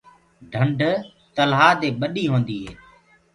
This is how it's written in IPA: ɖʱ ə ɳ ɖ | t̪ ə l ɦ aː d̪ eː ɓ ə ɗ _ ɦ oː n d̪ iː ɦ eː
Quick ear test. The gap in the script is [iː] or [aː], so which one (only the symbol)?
iː